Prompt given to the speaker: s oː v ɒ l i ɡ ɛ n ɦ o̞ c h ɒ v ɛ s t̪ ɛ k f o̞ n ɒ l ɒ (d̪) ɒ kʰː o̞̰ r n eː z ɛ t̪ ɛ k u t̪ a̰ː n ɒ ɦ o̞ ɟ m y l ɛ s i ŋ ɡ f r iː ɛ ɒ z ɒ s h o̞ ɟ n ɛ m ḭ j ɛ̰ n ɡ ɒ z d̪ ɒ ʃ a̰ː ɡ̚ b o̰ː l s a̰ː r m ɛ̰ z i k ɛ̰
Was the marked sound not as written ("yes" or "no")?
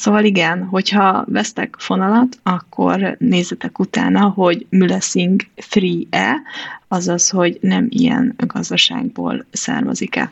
yes